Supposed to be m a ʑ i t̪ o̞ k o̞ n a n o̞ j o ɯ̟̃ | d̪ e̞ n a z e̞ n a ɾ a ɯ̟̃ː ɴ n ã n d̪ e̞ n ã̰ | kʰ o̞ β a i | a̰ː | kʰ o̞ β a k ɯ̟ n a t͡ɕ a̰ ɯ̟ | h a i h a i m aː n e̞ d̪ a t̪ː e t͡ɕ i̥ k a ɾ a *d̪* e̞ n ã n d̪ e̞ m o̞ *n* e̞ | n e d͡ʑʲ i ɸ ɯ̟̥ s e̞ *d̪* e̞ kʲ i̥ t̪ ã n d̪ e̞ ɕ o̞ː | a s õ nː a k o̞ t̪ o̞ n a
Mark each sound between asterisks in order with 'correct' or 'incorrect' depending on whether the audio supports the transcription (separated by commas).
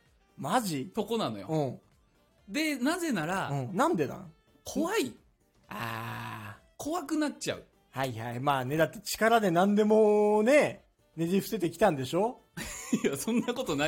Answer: correct, correct, incorrect